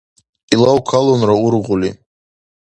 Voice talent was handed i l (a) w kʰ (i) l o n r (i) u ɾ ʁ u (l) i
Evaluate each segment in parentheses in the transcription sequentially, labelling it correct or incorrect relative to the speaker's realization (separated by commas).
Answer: correct, incorrect, incorrect, correct